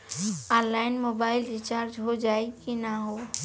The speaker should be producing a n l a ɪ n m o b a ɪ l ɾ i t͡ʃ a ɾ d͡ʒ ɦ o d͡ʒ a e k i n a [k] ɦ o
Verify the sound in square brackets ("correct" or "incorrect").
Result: incorrect